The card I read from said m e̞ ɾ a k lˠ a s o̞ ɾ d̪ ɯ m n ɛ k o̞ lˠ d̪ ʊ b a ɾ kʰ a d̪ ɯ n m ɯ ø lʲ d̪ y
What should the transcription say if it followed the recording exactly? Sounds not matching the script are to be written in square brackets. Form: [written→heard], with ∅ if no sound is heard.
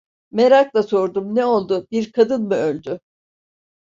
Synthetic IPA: m e̞ ɾ a k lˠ a s o̞ ɾ d̪ [ɯ→u] m n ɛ [k→∅] o̞ lˠ d̪ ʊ b [a→i] ɾ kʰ a d̪ ɯ n m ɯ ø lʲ d̪ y